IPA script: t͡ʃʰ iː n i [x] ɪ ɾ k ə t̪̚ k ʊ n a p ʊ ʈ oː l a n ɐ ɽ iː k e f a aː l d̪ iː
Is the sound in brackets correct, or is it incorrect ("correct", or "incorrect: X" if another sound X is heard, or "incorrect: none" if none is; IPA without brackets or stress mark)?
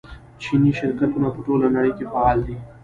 incorrect: ʃ